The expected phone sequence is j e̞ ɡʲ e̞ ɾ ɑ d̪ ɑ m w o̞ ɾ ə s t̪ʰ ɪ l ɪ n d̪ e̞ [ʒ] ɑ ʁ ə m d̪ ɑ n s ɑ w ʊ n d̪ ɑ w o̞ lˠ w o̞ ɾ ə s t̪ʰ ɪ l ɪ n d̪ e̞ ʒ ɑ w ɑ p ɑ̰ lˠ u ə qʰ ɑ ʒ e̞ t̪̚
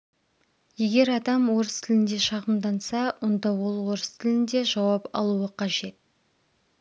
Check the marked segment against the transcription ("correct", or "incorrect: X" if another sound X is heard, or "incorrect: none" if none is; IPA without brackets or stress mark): incorrect: ʃ